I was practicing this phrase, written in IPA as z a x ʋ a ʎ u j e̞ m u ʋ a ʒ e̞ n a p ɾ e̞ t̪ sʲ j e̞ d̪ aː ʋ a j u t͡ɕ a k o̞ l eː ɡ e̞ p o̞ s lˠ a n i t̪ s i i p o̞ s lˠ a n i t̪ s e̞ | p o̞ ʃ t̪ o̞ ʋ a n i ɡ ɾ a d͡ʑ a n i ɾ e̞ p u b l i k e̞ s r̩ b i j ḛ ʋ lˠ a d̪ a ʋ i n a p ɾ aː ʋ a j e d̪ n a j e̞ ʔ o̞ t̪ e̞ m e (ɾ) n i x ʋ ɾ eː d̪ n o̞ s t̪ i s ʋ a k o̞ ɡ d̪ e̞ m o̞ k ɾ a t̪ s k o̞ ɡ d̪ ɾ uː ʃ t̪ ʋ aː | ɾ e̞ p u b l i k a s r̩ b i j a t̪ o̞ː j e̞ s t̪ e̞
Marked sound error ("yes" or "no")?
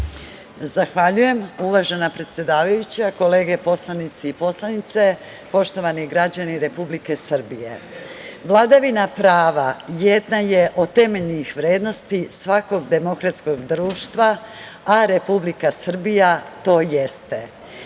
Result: yes